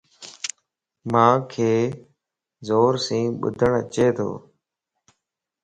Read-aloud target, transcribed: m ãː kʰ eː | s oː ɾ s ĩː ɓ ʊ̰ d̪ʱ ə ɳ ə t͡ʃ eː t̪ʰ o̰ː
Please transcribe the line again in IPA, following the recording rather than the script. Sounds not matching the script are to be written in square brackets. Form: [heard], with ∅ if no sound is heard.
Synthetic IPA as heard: m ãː kʰ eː | [z] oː ɾ s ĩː ɓ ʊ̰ d̪ʱ ə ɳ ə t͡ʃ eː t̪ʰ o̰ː